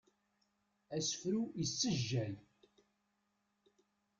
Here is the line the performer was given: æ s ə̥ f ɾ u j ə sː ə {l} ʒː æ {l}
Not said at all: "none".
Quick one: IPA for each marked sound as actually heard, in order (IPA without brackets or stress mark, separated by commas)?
none, l